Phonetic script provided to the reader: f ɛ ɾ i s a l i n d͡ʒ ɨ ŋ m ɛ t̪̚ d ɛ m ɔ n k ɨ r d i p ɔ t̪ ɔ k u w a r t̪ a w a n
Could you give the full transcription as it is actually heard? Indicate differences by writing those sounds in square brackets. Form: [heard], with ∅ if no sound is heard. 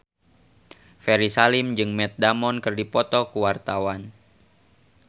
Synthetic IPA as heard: f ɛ ɾ i s a l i [m] d͡ʒ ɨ ŋ m ɛ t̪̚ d [a] m ɔ n k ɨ r d i p ɔ t̪ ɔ k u w a r t̪ a w a n